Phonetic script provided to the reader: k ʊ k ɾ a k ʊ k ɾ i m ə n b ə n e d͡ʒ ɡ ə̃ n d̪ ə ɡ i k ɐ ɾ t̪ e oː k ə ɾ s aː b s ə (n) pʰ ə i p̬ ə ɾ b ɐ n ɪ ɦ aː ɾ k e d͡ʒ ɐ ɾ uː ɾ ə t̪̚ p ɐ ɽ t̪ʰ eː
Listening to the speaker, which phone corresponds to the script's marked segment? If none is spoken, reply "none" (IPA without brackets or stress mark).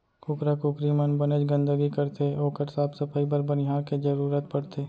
none